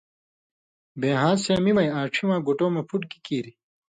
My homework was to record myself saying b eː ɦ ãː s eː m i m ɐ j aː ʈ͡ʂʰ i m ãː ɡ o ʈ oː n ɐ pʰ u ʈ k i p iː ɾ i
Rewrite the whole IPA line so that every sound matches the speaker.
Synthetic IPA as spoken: b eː ɦ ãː s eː m i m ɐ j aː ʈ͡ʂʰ i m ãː ɡ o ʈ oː m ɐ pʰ u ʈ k i k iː ɾ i